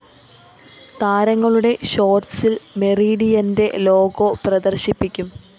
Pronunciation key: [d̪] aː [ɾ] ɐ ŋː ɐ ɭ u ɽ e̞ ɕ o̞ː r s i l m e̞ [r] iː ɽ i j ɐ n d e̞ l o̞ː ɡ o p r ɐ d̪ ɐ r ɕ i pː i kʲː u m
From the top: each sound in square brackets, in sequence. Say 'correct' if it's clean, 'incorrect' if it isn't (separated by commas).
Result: incorrect, correct, correct